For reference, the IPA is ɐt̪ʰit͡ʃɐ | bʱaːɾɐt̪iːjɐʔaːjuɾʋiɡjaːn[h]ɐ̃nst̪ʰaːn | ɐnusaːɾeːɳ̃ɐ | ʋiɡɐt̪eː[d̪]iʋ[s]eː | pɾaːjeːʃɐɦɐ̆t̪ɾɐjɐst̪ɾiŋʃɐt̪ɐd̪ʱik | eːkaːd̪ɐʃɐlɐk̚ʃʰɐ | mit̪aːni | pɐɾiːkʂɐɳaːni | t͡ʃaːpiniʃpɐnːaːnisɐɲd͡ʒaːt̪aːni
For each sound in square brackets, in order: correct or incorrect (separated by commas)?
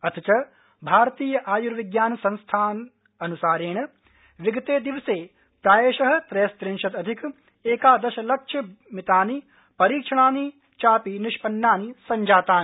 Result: incorrect, correct, correct